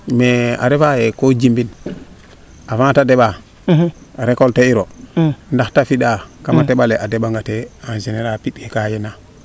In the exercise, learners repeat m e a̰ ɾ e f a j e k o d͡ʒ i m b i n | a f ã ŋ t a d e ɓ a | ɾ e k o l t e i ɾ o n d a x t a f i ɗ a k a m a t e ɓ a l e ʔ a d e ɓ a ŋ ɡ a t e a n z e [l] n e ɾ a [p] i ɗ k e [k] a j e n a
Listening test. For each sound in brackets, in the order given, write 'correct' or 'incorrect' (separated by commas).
incorrect, correct, correct